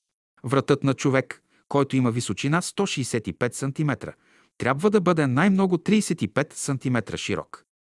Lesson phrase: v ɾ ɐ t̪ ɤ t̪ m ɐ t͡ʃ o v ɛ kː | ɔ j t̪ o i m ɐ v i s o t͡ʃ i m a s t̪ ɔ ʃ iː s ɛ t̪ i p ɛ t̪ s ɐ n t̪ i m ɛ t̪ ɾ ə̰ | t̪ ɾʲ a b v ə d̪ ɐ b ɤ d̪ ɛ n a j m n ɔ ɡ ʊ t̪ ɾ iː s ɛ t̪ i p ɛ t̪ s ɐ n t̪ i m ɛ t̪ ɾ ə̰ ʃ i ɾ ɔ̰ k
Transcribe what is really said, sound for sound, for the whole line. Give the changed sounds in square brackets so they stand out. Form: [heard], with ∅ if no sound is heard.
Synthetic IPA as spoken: v ɾ ɐ t̪ ɤ t̪ [n] ɐ t͡ʃ o v ɛ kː | ɔ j t̪ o i m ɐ v i s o t͡ʃ i [n] a s t̪ ɔ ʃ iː s ɛ t̪ i p ɛ t̪ s ɐ n t̪ i m ɛ t̪ ɾ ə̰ | t̪ ɾʲ a b v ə d̪ ɐ b ɤ d̪ ɛ n a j m n ɔ ɡ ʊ t̪ ɾ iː s ɛ t̪ i p ɛ t̪ s ɐ n t̪ i m ɛ t̪ ɾ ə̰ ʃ i ɾ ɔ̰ k